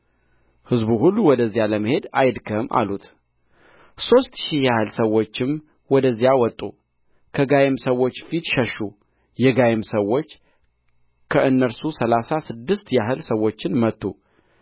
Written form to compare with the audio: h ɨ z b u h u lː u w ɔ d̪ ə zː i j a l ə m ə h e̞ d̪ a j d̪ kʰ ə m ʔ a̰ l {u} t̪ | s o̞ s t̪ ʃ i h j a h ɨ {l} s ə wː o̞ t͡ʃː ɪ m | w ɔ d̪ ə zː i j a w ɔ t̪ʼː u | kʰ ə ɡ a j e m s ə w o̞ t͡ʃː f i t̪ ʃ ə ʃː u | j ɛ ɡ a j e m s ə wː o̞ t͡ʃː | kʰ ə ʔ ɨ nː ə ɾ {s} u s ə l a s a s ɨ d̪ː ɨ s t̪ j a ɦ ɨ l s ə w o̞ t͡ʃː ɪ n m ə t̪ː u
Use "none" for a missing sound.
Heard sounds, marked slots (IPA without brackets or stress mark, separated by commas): u, l, s